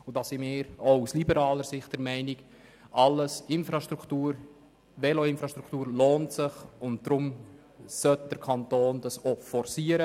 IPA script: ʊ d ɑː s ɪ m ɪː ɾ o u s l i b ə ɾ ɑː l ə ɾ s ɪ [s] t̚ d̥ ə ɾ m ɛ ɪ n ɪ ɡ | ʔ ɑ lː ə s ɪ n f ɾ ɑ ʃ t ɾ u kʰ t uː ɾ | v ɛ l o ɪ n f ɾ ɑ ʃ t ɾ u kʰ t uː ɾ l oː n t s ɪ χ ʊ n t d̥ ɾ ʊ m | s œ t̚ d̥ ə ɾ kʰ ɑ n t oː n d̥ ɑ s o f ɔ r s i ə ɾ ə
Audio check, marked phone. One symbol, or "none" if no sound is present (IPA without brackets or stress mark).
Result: χ